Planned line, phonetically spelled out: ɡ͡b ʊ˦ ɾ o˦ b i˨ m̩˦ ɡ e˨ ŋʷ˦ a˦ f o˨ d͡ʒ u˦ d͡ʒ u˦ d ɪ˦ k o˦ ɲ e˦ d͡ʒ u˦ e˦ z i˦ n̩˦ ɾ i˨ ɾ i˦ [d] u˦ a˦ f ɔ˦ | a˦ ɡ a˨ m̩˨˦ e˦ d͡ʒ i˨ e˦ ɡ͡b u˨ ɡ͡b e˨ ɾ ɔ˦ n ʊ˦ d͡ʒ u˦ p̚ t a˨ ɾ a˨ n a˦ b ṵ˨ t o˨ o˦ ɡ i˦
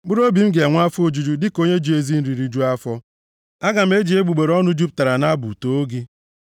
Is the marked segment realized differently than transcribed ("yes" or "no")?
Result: yes